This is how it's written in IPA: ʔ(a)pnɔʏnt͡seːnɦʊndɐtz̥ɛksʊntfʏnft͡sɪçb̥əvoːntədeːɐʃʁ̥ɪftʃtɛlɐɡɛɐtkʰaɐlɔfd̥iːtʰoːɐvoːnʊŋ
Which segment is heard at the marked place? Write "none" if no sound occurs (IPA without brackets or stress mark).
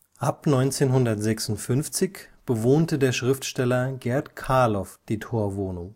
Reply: a